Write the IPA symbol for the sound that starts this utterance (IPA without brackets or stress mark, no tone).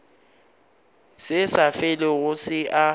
s